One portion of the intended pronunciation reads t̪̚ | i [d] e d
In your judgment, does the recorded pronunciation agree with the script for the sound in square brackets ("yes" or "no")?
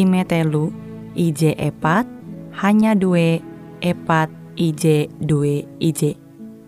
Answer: no